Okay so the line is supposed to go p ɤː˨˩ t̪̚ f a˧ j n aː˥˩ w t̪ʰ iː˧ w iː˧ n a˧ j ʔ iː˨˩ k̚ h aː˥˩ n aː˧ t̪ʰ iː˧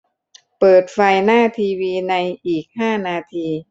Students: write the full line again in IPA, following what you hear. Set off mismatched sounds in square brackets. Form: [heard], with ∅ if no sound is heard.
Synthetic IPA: p ɤː˨˩ t̪̚ f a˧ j n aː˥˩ [∅] t̪ʰ iː˧ w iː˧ n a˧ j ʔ iː˨˩ k̚ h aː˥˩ n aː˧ t̪ʰ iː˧

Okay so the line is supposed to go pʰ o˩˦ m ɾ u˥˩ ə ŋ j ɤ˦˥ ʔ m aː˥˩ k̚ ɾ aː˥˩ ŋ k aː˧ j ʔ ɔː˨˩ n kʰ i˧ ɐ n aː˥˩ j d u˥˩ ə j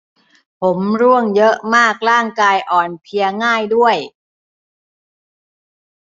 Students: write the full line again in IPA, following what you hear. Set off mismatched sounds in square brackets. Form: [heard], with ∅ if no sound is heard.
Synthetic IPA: pʰ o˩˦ m ɾ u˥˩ ə ŋ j ɤ˦˥ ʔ m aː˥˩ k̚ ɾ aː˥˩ ŋ k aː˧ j ʔ ɔː˨˩ n [pʰ] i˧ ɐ [ŋ] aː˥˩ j d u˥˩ ə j

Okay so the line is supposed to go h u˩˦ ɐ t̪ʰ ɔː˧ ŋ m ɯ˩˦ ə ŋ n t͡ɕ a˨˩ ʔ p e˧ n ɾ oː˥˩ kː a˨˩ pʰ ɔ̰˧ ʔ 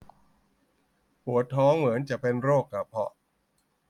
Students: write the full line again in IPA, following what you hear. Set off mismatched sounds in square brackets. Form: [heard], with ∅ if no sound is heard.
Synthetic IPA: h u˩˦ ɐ t̪ʰ [ɔː˦˥] ŋ m ɯ˩˦ ə [∅] n t͡ɕ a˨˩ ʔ p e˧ n ɾ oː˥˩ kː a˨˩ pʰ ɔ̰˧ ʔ

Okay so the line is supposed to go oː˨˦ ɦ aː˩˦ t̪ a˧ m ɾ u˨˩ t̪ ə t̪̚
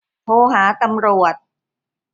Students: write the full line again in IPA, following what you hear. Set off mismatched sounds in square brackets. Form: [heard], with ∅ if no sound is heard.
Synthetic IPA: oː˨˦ ɦ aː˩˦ t̪ a˧ m ɾ u˨˩ [∅] ə t̪̚

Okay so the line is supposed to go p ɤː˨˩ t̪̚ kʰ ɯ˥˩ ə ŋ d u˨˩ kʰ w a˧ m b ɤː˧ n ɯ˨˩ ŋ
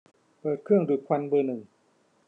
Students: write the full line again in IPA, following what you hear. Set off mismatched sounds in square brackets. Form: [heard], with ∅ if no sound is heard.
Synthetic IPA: p ɤː˨˩ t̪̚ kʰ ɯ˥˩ ə ŋ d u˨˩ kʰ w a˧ [n] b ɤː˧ n ɯ˨˩ ŋ

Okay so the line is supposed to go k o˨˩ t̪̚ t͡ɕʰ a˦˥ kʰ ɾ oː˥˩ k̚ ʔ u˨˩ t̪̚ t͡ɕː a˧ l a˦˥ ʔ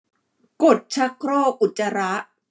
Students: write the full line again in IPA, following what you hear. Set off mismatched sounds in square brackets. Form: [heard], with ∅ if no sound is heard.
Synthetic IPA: k o˨˩ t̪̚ t͡ɕʰ a˦˥ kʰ ɾ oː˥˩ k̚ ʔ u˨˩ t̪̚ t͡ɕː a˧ [ɾ] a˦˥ ʔ

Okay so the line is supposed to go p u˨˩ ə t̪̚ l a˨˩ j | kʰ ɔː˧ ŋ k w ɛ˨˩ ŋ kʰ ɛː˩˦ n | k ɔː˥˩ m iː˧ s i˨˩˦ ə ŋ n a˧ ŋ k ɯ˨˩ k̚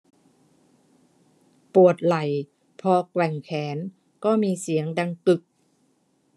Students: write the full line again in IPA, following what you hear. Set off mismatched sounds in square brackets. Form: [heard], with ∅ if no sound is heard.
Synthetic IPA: p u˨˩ ə t̪̚ l a˨˩ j | [pʰ] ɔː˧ [∅] k w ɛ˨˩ ŋ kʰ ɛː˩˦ n | k ɔː˥˩ m iː˧ s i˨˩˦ ə ŋ [d] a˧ ŋ k ɯ˨˩ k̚

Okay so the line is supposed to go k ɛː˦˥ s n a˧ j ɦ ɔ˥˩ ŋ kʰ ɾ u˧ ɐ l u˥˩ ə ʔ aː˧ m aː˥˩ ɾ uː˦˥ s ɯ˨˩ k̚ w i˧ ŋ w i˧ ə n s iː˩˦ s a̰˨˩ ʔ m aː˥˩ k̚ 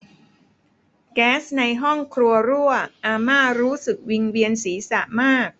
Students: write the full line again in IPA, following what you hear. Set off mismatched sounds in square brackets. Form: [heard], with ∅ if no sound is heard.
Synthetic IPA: k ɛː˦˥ s n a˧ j ɦ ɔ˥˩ ŋ kʰ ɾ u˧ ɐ [ɾ] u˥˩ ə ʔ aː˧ m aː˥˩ ɾ uː˦˥ s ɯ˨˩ k̚ w i˧ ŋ w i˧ ə n s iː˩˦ s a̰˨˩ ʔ m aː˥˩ k̚

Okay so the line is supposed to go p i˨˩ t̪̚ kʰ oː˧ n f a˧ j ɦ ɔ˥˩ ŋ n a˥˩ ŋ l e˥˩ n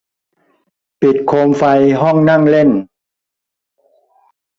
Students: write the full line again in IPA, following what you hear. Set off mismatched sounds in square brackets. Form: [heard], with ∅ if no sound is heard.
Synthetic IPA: p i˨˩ t̪̚ kʰ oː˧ [m] f a˧ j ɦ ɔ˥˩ ŋ n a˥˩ ŋ l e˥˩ n

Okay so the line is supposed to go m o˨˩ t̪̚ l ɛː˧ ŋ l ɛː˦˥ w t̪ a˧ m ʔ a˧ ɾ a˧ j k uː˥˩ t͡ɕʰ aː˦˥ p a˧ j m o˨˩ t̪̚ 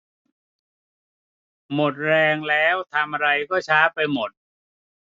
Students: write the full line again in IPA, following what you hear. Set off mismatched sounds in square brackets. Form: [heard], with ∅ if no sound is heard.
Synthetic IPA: m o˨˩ t̪̚ [ɾ] ɛː˧ ŋ l ɛː˦˥ w [t̪ʰ] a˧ m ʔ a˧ ɾ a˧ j k [ɔː˥˩] t͡ɕʰ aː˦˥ p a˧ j m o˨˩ t̪̚

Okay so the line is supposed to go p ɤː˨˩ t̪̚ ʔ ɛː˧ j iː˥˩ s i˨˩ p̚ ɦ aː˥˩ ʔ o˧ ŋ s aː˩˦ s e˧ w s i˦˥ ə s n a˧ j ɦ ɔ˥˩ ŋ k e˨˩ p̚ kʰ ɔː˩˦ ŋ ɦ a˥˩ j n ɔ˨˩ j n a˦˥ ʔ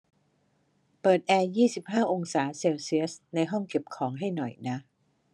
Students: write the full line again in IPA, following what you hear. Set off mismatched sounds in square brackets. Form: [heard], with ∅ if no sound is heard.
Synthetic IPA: p ɤː˨˩ t̪̚ ʔ ɛː˧ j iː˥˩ s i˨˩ p̚ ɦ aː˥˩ ʔ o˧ ŋ s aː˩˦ s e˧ w s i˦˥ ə s n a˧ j ɦ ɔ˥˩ ŋ k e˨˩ p̚ kʰ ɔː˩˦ ŋ ɦ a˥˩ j n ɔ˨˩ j n a˦˥ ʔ

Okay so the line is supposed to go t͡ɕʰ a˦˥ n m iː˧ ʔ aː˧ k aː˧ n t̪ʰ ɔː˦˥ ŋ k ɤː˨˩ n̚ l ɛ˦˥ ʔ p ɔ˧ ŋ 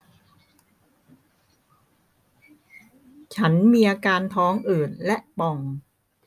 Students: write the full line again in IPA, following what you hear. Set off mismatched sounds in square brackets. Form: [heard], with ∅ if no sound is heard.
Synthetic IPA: t͡ɕʰ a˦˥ n m iː˧ ʔ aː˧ k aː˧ n t̪ʰ ɔː˦˥ ŋ [ʔ] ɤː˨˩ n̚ l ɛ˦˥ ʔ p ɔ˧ ŋ

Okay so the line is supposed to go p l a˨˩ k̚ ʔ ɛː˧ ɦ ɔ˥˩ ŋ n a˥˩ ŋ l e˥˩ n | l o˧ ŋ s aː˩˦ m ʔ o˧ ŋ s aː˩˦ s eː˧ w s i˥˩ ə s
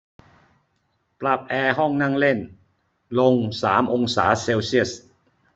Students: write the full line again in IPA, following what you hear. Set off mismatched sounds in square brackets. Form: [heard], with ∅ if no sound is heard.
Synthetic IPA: p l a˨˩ [p̚] ʔ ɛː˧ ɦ ɔ˥˩ ŋ n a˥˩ ŋ l e˥˩ n | l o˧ ŋ s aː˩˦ m ʔ o˧ ŋ s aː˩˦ s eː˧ w s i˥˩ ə s

